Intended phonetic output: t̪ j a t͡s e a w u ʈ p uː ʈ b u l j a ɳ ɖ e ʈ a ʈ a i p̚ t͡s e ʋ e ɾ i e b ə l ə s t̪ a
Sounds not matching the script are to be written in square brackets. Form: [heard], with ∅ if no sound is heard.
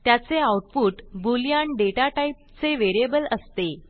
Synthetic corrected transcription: t̪ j a t͡s e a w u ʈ p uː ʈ b u l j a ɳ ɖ e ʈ a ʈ a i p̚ t͡s e ʋ e ɾ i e b ə l ə s t̪ [e]